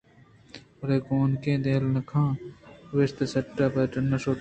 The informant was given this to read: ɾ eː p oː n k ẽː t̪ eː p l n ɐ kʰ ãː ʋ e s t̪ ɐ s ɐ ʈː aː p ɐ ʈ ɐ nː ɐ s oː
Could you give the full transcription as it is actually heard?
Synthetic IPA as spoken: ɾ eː k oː n k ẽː d̪ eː l n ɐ kʰ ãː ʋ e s t̪ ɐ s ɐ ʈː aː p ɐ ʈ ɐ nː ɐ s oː